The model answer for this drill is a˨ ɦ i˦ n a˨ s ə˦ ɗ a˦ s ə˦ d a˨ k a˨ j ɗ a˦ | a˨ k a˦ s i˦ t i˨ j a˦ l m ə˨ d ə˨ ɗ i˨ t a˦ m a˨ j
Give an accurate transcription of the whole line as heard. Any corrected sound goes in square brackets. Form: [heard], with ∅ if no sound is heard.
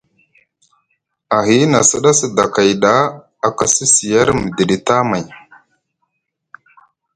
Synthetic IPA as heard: a˨ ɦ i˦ n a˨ s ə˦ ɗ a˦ s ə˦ d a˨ k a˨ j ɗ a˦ | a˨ k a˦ s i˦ [s] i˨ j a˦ [ɾ] m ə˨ d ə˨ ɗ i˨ t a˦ m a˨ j